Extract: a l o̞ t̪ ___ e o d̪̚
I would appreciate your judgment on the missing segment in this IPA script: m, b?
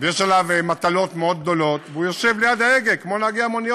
m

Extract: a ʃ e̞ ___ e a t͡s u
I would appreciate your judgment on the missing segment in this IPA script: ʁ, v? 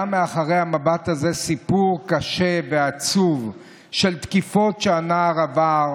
v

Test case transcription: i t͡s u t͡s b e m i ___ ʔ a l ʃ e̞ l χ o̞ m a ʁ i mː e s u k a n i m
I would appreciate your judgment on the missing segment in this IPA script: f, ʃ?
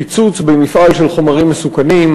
f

